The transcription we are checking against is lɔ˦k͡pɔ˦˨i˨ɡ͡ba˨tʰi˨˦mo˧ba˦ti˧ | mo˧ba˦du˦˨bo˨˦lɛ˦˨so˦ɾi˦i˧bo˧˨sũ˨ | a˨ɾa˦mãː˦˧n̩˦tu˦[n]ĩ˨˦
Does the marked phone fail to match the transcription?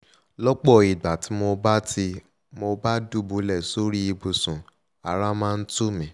yes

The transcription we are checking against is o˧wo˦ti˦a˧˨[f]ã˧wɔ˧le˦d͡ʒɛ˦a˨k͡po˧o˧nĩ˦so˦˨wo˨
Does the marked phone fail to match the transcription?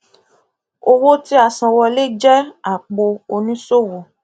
yes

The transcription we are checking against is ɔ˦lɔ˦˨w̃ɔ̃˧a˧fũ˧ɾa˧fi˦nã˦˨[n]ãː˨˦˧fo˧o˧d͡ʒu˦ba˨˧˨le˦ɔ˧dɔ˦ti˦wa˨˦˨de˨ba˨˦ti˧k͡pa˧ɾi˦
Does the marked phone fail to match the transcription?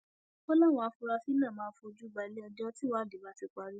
yes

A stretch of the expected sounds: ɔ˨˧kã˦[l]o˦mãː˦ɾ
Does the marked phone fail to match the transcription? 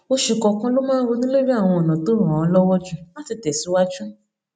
no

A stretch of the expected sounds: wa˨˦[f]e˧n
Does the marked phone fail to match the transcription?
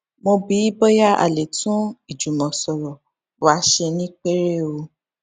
yes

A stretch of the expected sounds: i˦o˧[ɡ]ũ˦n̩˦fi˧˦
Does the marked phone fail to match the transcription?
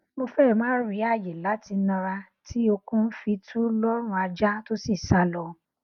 yes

